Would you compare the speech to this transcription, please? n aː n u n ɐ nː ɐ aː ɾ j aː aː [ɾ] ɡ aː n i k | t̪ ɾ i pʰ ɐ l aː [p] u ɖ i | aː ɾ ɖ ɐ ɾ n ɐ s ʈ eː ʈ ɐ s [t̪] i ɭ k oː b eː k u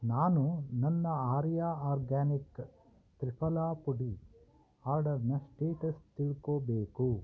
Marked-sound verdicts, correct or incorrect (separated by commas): correct, correct, correct